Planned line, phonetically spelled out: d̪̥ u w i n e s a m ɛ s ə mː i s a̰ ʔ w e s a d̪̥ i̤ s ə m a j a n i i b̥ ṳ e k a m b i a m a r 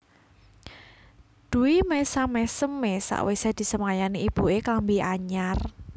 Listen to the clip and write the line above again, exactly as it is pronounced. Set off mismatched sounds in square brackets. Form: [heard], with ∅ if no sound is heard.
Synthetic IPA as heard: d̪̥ u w i [m] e s a m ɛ s ə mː [e] s a̰ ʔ w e s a d̪̥ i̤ s ə m a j a n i i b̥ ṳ e k a m b i a [ɲ] a r